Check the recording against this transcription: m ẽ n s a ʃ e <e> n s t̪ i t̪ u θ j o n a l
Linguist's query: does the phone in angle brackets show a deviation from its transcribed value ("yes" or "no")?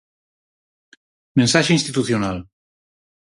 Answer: yes